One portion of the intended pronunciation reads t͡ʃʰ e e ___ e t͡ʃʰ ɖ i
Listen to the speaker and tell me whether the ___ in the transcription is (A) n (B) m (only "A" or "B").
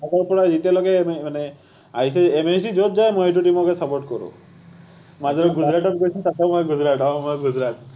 B